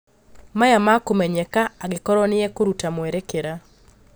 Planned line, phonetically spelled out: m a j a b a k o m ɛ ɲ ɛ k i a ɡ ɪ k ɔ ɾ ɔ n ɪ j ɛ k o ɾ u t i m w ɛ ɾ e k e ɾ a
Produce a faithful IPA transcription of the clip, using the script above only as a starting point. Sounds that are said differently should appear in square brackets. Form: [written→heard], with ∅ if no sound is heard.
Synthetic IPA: m a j a [b→m] a k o m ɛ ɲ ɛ k [i→a] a ɡ ɪ k ɔ ɾ ɔ n ɪ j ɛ k o ɾ u t [i→a] m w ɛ ɾ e k e ɾ a